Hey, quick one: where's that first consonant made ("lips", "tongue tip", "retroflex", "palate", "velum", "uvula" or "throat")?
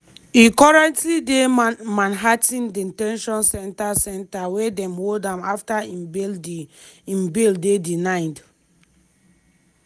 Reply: velum